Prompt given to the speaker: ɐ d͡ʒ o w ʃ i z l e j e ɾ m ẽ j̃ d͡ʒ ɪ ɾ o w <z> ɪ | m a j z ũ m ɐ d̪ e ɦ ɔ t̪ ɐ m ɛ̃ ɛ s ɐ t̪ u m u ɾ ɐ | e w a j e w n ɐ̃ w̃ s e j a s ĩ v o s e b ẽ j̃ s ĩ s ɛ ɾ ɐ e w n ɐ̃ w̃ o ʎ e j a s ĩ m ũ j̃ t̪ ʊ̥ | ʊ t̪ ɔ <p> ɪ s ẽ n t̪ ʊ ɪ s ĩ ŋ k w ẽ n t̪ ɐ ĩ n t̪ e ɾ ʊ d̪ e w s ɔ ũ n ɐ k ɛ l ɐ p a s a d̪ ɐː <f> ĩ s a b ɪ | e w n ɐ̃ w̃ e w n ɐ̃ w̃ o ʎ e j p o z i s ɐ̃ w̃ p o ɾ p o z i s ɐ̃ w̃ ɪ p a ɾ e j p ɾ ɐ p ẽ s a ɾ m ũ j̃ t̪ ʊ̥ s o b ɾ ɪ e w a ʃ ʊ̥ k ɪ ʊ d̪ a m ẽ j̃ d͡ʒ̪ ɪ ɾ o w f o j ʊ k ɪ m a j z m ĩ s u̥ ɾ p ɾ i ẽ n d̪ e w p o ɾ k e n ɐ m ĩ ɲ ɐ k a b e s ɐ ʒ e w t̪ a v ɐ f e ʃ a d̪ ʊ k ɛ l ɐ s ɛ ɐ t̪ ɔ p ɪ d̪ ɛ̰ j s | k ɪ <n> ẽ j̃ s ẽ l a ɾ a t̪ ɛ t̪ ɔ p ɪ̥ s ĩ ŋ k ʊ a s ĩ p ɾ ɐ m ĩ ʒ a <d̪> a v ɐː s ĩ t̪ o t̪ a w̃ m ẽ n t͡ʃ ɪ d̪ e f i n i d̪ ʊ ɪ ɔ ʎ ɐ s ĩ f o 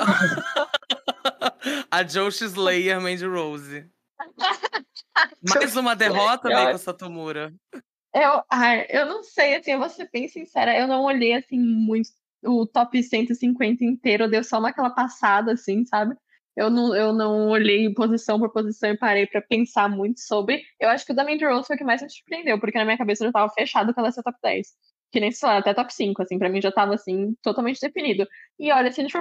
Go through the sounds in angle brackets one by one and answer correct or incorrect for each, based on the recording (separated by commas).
correct, correct, incorrect, correct, incorrect